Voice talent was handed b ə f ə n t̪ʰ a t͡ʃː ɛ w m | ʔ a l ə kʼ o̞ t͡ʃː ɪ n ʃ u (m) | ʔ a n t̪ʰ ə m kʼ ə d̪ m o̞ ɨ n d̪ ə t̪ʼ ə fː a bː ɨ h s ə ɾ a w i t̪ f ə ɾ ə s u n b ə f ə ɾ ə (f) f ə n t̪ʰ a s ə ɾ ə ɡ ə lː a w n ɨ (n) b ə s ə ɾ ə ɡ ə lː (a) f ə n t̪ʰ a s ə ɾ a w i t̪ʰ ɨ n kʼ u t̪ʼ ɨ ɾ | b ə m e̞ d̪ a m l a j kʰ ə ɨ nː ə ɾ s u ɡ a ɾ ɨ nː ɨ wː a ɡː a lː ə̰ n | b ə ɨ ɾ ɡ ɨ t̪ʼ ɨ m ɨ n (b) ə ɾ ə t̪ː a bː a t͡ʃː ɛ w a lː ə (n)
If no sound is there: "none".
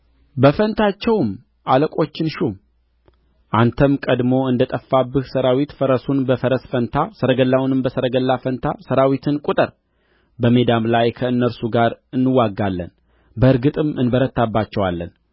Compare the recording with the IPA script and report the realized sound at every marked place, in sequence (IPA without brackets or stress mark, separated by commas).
m, s, m, a, b, n